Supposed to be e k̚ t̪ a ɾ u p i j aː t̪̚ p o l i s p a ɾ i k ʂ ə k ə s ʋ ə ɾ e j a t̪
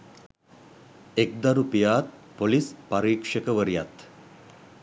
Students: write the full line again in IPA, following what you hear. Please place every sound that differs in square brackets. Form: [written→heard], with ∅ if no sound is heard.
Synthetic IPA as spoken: e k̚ [t̪→d̪] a ɾ u p i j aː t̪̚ p o l i s p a ɾ [i→iː] k ʂ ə k ə [s→∅] ʋ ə ɾ [e→i] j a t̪